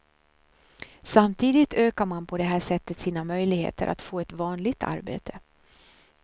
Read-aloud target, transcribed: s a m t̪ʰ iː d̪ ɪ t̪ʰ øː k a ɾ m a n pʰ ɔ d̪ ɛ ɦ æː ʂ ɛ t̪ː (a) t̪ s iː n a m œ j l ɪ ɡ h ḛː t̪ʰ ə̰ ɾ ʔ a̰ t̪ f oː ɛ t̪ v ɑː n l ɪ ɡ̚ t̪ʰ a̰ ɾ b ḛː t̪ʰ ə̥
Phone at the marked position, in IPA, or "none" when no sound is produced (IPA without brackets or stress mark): ə